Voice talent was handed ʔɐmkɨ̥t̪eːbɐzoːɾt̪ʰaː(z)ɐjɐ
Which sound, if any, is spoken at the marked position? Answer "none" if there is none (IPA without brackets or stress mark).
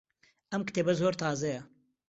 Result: z